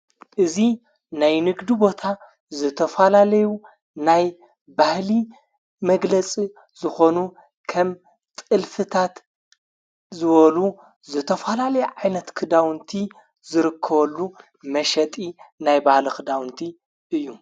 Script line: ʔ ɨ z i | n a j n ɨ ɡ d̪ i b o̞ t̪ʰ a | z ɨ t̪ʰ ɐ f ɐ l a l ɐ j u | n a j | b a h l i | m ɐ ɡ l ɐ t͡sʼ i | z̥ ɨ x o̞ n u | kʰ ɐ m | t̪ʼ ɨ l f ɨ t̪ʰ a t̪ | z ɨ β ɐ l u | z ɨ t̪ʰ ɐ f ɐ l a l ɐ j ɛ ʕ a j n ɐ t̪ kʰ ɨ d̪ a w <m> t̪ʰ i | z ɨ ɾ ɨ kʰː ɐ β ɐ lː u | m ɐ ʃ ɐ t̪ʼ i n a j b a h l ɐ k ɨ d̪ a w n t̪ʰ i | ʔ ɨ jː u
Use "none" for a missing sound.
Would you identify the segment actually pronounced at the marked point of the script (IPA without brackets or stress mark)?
n